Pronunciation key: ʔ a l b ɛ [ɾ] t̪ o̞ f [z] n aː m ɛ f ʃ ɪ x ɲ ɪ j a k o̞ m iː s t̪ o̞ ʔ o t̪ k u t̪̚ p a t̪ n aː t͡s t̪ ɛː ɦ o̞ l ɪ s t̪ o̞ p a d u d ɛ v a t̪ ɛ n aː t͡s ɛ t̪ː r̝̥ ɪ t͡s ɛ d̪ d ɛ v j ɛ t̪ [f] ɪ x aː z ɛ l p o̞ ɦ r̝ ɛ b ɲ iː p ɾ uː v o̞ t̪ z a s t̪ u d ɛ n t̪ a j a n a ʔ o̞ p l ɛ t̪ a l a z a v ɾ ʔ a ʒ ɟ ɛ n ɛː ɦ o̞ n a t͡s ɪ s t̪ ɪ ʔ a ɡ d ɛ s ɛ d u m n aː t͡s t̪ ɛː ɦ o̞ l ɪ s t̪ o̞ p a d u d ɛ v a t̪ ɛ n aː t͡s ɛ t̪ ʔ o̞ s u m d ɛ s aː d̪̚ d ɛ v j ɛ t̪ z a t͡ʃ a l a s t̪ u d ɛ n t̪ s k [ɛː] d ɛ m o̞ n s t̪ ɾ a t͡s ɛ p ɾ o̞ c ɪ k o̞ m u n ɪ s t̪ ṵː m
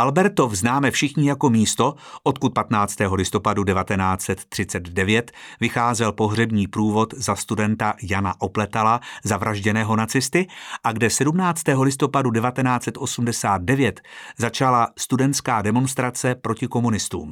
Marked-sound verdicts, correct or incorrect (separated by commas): correct, correct, incorrect, incorrect